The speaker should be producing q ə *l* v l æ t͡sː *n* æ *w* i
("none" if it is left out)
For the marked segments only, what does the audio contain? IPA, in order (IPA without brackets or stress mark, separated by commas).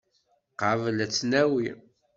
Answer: none, n, w